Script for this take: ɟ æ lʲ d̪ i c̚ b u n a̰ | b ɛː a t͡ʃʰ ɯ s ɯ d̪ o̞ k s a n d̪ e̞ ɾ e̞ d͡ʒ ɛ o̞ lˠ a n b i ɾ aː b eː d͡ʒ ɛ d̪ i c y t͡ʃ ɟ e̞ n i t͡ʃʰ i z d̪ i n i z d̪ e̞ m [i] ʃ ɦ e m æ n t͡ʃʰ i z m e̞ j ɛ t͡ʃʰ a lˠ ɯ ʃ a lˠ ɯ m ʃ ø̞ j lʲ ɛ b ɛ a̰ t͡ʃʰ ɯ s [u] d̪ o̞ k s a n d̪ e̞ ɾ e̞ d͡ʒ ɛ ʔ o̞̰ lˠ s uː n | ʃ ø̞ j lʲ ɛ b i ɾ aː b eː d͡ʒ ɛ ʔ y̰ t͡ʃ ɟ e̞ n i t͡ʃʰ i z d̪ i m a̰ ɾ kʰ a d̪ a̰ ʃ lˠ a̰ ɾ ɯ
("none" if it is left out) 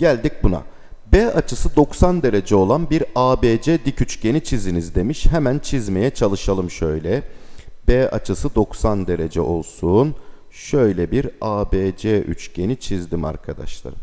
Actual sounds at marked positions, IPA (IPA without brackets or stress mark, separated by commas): i, ɯ